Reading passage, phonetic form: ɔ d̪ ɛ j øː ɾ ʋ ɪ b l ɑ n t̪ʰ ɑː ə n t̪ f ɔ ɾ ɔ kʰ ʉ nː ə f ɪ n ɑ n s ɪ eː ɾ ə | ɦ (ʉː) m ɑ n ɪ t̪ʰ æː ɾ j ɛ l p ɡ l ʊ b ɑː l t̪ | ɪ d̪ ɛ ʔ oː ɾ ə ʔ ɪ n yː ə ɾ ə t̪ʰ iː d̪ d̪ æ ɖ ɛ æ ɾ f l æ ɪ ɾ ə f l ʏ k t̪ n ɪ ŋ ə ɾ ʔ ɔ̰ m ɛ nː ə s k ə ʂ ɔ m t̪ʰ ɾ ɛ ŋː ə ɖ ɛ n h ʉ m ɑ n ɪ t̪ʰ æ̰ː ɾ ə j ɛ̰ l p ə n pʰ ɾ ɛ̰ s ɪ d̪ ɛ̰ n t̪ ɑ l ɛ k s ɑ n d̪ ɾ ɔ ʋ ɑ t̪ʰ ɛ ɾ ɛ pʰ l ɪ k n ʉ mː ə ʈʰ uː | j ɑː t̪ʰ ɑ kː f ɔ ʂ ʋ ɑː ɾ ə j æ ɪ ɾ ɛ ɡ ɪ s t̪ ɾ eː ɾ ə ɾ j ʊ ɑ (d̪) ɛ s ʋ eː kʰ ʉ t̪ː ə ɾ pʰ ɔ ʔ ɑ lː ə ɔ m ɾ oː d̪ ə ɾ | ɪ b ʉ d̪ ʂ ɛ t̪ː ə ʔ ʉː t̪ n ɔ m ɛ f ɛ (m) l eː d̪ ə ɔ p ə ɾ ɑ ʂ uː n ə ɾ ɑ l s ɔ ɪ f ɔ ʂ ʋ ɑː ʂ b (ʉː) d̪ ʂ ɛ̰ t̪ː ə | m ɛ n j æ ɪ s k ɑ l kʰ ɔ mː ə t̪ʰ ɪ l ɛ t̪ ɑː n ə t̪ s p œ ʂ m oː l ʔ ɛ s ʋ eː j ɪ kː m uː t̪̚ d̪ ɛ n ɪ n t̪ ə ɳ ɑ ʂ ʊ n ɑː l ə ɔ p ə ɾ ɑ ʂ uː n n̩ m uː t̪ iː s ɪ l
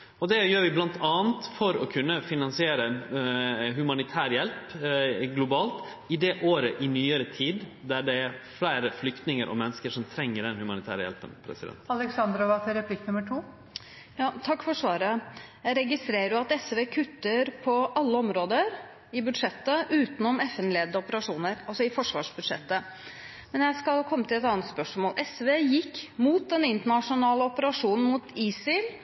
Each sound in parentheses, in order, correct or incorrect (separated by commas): incorrect, incorrect, incorrect, incorrect